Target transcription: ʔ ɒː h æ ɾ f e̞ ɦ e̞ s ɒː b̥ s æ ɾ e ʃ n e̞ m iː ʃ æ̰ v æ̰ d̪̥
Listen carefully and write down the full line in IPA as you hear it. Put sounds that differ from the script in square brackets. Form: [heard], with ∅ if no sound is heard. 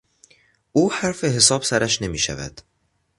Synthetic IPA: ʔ [uː] h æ ɾ f e̞ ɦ e̞ s ɒː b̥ s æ ɾ [æ] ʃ n e̞ m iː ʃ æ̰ v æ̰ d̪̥